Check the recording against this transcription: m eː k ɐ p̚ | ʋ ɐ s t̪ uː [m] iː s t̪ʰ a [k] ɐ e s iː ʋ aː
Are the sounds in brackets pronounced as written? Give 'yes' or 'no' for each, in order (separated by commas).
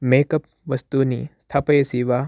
no, no